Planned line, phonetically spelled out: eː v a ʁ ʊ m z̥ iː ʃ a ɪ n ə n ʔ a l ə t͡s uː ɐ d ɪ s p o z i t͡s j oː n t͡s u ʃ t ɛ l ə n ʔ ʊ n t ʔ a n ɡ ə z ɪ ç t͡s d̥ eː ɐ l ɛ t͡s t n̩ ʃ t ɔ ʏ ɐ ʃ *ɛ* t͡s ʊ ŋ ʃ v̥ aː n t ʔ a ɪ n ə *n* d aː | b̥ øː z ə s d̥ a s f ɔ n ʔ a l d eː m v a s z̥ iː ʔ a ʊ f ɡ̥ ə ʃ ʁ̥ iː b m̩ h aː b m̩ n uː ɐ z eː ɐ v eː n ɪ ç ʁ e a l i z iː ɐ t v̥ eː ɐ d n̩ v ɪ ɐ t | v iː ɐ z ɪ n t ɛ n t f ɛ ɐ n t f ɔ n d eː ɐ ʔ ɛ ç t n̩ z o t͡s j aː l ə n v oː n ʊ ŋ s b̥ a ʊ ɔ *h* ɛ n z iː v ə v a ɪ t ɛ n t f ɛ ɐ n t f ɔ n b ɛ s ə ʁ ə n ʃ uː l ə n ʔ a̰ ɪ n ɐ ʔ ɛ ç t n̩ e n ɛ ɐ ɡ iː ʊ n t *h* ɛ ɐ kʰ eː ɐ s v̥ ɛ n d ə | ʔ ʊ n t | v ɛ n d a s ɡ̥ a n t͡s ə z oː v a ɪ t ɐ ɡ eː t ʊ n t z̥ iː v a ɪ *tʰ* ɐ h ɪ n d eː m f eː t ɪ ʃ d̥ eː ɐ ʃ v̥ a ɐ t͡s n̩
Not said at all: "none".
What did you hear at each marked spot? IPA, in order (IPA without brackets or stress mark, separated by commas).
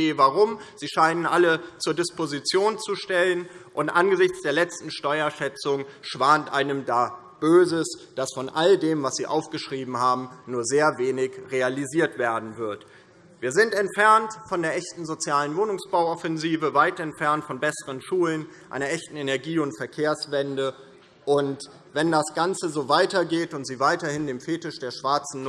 ɛ, m, f, f, t